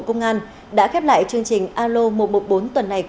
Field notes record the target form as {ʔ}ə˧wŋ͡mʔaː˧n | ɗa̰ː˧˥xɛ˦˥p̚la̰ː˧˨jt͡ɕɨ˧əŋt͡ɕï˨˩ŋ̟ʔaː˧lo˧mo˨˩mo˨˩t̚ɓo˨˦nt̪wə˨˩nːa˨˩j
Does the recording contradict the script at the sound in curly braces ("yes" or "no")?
yes